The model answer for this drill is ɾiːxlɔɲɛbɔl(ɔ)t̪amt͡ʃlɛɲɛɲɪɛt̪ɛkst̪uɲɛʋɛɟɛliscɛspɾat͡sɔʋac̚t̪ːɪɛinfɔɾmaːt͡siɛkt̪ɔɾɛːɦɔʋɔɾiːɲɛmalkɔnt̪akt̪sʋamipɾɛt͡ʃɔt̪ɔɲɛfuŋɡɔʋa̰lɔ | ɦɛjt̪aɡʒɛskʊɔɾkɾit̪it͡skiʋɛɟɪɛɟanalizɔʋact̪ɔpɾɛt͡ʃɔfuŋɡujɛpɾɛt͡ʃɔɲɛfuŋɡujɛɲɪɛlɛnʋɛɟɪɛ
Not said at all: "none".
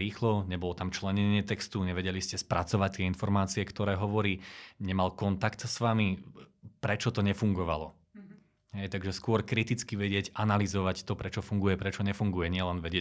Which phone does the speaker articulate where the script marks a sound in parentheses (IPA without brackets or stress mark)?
ɔ